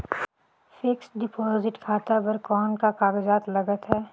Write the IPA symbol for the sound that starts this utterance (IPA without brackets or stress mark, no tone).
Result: f